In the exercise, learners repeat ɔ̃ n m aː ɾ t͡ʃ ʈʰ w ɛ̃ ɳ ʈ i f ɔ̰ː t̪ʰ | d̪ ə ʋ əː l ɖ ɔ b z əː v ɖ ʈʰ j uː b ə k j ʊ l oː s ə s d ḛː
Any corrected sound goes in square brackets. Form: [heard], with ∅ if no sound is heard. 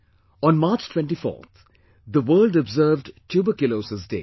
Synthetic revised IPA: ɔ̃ n m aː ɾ t͡ʃ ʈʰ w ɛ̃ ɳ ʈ i f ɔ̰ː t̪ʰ | d̪ ə ʋ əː l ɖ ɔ b z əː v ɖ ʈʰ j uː b ə k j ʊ l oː s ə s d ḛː